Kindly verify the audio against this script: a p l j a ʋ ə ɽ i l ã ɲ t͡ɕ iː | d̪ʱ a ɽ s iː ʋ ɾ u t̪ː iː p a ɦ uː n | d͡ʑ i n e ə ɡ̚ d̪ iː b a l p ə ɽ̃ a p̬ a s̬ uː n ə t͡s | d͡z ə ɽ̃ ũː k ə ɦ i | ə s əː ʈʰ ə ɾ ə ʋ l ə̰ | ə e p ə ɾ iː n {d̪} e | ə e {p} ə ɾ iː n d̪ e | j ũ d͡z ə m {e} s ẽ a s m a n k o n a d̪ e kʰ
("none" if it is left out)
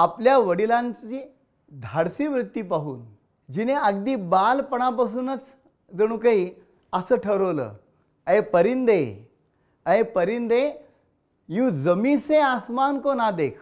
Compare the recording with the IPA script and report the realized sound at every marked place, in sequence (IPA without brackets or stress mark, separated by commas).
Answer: d̪, p, i